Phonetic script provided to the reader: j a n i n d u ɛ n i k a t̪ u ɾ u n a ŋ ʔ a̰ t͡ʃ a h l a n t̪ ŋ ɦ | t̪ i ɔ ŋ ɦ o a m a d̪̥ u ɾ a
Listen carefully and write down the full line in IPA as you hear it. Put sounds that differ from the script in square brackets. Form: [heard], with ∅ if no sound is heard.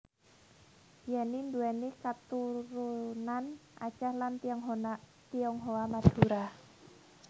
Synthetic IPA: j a n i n d u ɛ n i k a t̪ u ɾ u n a [n] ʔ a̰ t͡ʃ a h l a n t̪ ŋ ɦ | t̪ i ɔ ŋ ɦ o a m a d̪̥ u ɾ a